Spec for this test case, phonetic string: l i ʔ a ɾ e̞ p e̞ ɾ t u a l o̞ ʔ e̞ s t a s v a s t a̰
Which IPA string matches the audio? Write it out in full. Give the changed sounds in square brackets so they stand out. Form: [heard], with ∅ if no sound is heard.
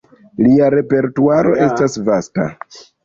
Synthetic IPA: l i [∅] a ɾ e̞ p e̞ ɾ t u a [ɾ] o̞ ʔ e̞ s t a s v a s t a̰